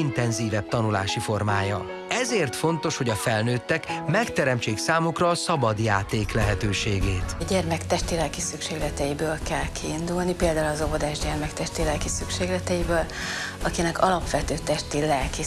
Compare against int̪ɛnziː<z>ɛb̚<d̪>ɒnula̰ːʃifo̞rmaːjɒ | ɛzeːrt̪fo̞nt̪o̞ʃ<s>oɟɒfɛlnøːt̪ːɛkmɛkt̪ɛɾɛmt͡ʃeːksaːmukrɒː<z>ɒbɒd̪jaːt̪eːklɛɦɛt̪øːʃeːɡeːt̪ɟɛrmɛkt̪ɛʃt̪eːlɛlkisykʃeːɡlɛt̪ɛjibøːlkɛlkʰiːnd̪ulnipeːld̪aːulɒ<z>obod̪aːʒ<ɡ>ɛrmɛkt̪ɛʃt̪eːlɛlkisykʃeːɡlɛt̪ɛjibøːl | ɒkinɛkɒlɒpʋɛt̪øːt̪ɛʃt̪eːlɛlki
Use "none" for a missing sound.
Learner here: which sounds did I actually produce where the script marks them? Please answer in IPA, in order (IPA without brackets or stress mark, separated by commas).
v, t̪, h, s, z, ɟ